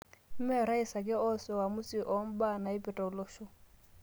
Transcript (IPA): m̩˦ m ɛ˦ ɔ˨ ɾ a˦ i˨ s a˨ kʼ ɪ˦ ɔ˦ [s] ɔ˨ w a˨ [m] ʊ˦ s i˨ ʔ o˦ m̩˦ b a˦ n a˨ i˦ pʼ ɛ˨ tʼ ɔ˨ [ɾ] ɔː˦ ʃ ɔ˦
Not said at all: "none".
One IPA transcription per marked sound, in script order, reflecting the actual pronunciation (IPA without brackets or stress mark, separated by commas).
s, m, l